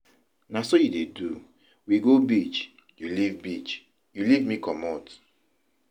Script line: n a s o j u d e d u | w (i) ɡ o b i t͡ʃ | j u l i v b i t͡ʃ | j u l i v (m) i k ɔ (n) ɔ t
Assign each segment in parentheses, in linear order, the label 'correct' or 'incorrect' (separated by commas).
correct, correct, incorrect